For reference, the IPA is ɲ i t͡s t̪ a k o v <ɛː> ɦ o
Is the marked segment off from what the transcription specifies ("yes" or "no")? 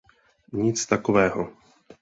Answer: no